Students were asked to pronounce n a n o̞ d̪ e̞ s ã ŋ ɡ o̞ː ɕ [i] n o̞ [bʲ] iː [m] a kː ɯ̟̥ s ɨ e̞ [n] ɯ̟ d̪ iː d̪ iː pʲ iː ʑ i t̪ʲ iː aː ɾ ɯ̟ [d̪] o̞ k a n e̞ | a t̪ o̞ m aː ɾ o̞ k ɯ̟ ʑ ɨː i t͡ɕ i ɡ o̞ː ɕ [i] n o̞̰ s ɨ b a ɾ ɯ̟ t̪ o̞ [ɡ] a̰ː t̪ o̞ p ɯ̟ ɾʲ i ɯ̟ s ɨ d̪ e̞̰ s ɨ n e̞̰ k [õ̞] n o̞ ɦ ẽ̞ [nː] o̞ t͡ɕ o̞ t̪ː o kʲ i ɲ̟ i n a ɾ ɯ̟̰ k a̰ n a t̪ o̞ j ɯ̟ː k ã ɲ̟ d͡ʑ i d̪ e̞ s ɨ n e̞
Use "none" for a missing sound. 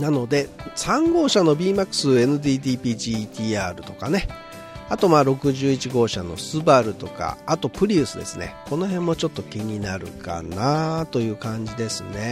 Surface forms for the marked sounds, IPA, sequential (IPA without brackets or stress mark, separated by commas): a, bʲ, m, n, t̪, a, k, o̞, mː